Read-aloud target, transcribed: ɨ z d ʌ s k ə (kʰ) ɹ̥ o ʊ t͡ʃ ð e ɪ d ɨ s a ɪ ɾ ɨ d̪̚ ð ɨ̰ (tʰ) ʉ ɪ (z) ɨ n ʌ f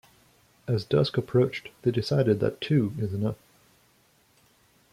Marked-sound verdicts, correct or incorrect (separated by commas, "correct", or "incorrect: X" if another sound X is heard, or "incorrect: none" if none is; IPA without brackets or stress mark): incorrect: pʰ, correct, correct